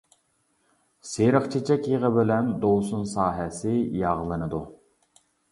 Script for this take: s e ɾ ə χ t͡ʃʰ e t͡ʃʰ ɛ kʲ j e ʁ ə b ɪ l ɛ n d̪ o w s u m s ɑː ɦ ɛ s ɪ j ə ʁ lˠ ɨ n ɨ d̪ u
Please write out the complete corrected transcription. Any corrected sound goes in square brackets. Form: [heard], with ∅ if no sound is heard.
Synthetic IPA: s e ɾ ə χ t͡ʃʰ e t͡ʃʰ ɛ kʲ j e ʁ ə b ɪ l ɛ n d̪ o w s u [n] s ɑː ɦ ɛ s ɪ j [ɑ] ʁ lˠ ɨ n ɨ d̪ u